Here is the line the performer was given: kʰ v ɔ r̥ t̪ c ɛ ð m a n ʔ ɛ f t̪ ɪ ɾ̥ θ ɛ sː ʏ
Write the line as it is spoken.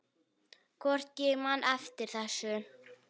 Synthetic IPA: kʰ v ɔ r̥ t̪ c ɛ ɣ m a n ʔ ɛ f t̪ ɪ ɾ̥ θ ɛ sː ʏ